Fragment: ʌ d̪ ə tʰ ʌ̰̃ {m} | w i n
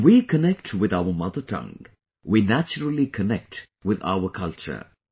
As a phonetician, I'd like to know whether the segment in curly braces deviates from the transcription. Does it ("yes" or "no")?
yes